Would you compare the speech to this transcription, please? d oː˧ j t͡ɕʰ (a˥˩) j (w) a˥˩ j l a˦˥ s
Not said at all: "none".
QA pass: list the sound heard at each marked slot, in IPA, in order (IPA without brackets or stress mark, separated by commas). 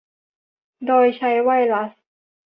a˧˥, w